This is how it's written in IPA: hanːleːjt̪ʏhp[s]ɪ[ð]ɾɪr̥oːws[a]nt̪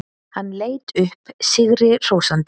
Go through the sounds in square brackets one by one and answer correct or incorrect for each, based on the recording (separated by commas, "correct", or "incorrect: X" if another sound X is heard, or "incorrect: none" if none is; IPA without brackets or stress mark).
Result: correct, incorrect: ɣ, correct